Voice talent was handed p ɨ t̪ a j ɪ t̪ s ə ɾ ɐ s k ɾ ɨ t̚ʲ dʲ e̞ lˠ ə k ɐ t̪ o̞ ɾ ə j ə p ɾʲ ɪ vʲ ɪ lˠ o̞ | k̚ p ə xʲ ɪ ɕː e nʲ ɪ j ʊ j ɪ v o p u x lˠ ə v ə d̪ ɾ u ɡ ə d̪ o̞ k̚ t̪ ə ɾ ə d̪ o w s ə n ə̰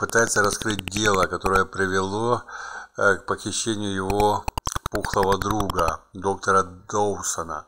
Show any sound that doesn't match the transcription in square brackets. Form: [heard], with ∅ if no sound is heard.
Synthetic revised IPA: p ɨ t̪ a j ɪ t̪ s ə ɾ ɐ s k ɾ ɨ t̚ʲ dʲ e̞ lˠ ə k ɐ t̪ o̞ ɾ ə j ə p ɾʲ ɪ vʲ ɪ lˠ o̞ | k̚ p ə xʲ ɪ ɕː e nʲ ɪ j ʊ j ɪ v o p u x lˠ ə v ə d̪ ɾ u ɡ ə d̪ o̞ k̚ t̪ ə ɾ ə d̪ o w s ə n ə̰